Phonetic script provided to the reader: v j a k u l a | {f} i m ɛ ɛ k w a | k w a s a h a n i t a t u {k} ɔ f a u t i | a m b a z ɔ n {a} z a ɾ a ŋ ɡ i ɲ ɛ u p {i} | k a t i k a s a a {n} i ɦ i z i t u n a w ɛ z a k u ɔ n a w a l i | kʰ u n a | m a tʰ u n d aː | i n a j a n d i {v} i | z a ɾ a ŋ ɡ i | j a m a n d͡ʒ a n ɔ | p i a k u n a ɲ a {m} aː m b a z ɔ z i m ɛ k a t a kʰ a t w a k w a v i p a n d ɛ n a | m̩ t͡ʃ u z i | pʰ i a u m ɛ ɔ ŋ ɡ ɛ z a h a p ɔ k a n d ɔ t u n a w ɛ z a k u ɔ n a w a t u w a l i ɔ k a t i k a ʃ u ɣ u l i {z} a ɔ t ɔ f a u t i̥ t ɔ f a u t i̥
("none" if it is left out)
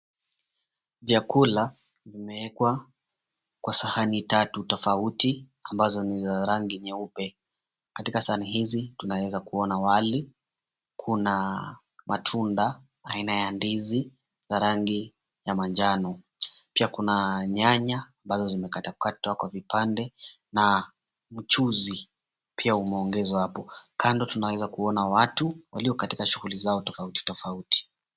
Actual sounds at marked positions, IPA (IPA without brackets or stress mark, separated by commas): v, t, i, ɛ, n, z, ɲ, z